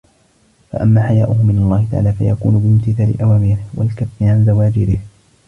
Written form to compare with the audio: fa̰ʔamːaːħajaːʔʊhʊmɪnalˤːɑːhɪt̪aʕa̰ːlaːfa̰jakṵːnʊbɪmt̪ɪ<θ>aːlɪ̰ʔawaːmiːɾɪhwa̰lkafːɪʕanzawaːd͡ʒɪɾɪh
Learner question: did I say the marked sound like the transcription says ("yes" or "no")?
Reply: yes